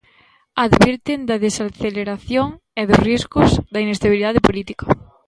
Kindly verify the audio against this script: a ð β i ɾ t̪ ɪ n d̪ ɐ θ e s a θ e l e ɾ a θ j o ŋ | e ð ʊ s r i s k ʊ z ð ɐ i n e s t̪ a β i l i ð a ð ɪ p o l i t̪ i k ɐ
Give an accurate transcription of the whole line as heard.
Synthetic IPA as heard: a ð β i ɾ t̪ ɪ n d̪ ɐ ð e s a θ e l e ɾ a θ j o ŋ | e ð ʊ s r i s k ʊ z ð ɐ i n e s t̪ a β i l i ð a ð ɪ p o l i t̪ i k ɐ